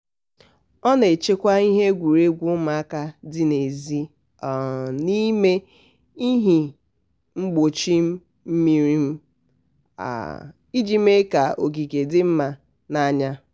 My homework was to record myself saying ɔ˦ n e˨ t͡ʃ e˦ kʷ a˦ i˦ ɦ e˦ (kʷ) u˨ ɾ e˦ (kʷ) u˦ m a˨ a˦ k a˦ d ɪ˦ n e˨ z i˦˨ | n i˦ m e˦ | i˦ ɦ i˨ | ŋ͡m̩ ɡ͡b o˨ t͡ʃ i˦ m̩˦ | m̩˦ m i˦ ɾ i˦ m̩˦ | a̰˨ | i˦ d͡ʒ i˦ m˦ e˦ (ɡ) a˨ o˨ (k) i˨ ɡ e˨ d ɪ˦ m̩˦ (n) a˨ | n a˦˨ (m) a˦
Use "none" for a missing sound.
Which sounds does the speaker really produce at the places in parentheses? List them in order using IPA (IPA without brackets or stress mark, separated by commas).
ɡʷ, ɡʷ, k, ɡ, m, ɲ